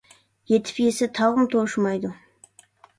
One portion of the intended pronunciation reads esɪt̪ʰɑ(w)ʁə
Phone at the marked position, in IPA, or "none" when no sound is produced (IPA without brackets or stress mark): w